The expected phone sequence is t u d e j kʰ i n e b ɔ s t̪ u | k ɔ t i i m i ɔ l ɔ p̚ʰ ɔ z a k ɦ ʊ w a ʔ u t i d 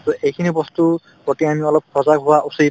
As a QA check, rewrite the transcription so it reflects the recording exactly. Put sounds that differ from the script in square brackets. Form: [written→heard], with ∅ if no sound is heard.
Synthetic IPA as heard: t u [d→∅] e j kʰ i n [e→i] b ɔ s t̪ u | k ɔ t i [i→a] m i ɔ l ɔ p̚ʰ ɔ z a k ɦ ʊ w a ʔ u [t→s] i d